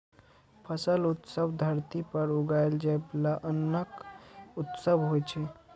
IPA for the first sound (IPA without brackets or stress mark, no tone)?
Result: pʰ